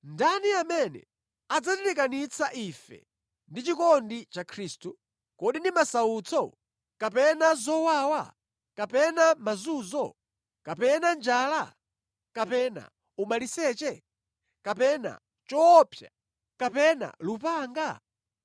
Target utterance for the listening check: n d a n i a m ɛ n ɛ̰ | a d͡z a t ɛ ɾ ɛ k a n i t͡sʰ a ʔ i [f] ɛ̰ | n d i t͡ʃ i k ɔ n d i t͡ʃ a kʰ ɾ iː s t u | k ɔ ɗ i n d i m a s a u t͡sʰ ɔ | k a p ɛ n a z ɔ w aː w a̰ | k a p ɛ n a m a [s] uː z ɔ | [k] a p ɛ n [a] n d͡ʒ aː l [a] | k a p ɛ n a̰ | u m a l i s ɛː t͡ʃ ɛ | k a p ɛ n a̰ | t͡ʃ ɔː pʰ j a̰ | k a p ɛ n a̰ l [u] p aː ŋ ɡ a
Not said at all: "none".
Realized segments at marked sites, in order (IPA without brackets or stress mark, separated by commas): f, z, k, a, a, u